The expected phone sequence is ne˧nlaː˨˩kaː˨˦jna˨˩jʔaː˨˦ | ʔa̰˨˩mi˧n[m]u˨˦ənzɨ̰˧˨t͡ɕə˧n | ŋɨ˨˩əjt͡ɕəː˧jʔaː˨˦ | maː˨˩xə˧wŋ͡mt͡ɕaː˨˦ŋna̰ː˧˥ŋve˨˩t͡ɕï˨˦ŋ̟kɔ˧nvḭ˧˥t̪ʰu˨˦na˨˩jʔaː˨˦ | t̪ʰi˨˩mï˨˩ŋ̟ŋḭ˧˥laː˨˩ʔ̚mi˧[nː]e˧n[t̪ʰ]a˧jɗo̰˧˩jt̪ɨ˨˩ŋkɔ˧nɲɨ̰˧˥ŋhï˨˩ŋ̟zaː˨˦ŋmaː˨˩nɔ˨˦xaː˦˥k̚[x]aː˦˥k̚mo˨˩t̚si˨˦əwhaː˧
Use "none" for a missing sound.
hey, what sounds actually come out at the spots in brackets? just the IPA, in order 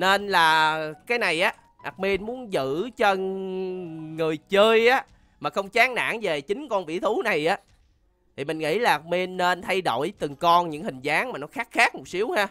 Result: m, nː, t̪ʰ, x

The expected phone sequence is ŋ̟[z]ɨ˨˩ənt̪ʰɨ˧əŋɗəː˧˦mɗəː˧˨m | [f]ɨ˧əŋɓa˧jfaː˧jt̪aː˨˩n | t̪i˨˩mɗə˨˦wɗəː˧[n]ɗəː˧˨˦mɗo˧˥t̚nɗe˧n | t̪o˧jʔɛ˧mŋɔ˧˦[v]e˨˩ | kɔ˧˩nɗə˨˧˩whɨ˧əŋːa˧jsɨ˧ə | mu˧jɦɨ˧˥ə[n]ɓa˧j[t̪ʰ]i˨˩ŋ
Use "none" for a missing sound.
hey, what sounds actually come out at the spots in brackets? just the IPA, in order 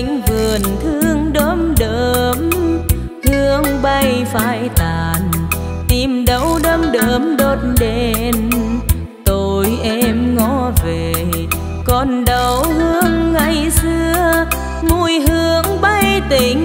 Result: v, h, m, v, ŋ, t̪

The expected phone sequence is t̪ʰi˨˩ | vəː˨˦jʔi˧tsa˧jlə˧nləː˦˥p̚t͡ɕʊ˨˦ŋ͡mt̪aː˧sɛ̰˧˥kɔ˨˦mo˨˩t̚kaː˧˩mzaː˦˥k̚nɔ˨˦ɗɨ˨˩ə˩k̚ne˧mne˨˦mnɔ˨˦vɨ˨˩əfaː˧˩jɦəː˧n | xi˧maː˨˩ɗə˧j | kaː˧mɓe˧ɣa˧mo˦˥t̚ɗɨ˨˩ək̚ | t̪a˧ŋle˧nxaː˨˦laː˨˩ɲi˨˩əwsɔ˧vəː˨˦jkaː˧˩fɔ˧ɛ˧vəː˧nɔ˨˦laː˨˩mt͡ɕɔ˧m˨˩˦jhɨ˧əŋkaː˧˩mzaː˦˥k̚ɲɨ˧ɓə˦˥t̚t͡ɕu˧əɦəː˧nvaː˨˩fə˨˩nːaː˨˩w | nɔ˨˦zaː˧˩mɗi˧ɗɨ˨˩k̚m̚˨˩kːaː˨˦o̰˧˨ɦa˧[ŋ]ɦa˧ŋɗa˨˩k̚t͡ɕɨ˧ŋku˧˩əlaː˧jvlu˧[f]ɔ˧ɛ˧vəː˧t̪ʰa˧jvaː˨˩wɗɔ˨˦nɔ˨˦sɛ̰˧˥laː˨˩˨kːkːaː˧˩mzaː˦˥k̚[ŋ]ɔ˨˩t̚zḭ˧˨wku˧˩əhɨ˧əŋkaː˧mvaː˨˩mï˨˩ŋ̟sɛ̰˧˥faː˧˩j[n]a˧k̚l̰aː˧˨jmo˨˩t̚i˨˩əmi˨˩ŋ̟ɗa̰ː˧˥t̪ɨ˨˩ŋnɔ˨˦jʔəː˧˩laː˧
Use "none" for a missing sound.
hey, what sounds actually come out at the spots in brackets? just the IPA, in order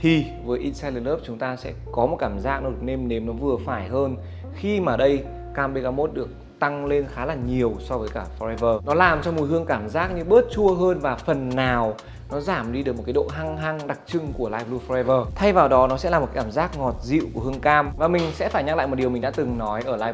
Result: ŋ, f, ŋ, ɲ

